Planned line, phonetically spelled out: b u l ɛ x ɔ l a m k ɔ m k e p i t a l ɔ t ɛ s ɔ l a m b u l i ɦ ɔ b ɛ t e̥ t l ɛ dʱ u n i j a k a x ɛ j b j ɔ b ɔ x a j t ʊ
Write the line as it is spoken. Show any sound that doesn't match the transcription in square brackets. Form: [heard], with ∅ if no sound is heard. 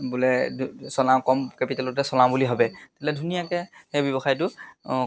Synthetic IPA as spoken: b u l ɛ [s] ɔ l a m k ɔ m k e p i t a l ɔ t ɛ s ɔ l a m b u l i ɦ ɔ b ɛ t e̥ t l ɛ dʱ u n i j a k [ɛ] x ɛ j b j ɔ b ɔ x a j t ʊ